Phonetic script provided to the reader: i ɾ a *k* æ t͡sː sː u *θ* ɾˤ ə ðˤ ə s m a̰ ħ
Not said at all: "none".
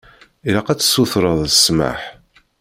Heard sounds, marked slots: q, θ

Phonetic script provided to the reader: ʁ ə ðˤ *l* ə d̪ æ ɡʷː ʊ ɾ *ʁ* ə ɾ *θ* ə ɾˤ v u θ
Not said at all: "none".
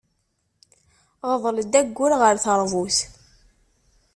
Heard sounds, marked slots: l, ʁ, θ

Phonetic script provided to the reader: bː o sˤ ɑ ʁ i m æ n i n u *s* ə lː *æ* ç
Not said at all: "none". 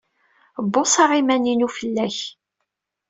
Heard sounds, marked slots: f, æ

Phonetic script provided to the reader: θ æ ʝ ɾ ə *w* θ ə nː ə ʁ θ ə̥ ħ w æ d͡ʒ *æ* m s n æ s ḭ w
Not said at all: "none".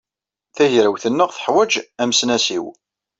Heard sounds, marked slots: w, æ

